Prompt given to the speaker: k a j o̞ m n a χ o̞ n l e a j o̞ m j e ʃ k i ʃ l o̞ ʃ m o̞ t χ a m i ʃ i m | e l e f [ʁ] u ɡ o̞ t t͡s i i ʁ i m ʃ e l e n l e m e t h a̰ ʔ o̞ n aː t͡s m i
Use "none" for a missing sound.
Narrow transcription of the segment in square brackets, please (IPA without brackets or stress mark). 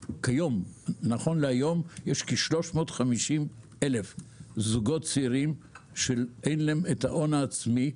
z